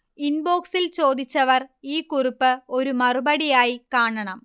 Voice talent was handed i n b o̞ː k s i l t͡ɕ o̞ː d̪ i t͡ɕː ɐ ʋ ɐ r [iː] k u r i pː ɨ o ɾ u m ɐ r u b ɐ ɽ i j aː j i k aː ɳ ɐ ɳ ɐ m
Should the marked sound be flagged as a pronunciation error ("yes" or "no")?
no